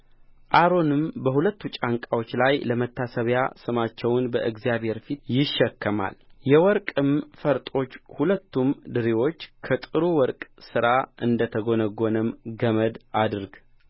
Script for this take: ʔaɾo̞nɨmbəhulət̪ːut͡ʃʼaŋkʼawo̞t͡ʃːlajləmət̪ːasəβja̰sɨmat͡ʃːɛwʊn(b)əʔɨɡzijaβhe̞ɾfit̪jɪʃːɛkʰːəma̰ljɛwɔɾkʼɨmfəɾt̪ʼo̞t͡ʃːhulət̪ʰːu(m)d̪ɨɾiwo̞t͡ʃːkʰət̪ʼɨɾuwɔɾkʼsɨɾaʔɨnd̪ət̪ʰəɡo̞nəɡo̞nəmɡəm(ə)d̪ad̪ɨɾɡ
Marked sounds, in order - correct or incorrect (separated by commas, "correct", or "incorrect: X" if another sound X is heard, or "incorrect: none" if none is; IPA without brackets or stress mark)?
correct, correct, correct